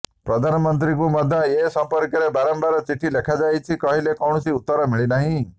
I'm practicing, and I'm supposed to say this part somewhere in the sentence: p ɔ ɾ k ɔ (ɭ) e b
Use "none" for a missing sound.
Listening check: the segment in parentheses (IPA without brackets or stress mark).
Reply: ɾ